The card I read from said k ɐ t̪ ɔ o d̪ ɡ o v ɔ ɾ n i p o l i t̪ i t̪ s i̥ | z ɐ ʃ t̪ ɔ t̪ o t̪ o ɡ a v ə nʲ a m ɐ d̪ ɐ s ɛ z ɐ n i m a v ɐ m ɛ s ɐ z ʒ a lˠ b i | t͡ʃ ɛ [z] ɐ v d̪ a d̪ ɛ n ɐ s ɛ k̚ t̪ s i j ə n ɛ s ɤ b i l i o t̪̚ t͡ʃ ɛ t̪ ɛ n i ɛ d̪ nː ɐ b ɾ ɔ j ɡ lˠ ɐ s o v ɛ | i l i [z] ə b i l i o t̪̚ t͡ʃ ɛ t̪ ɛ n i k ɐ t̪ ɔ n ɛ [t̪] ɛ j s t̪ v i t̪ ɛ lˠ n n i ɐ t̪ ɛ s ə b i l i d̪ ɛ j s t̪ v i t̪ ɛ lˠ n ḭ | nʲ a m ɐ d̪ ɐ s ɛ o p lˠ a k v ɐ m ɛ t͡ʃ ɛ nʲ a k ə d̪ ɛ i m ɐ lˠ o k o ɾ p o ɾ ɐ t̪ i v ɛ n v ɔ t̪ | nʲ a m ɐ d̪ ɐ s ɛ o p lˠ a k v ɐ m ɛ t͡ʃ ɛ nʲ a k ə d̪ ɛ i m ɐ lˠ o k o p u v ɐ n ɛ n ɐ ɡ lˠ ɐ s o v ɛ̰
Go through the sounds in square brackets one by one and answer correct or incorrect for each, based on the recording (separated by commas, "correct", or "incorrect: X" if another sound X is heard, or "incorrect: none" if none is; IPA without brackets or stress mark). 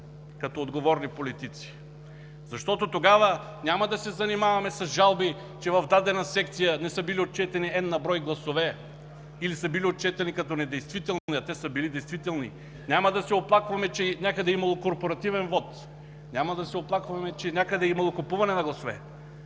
incorrect: v, incorrect: s, incorrect: d̪